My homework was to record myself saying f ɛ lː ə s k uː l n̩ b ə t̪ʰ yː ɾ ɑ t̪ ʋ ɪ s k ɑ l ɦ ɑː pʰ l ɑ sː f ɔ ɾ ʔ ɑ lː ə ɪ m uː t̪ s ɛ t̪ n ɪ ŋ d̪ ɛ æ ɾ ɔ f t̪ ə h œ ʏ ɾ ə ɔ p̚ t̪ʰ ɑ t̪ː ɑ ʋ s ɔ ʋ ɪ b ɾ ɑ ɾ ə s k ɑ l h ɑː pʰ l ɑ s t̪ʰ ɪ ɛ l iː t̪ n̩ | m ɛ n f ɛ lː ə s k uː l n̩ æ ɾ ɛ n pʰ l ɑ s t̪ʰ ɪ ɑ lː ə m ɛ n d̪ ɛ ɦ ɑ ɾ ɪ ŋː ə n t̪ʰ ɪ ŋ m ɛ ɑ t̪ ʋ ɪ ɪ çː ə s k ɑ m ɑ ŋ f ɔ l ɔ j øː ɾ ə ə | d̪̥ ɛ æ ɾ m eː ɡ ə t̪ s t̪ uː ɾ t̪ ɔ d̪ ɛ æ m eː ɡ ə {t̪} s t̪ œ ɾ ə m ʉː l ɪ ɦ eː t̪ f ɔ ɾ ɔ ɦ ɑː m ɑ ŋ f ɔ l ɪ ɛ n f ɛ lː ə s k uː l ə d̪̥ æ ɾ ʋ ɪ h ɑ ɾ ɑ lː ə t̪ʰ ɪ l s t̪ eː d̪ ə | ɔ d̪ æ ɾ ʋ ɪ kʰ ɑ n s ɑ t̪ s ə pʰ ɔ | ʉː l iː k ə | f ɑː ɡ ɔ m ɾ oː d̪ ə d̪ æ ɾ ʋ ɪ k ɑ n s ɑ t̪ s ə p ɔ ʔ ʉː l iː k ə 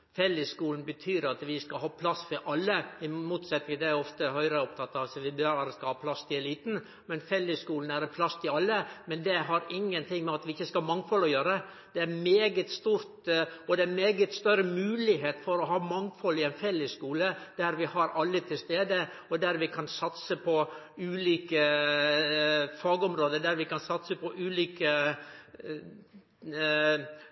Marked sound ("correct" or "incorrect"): correct